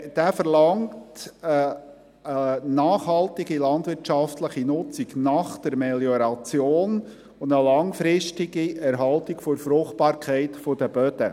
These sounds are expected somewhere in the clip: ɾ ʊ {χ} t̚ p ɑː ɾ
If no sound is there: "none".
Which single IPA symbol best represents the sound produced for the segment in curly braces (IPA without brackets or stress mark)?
χ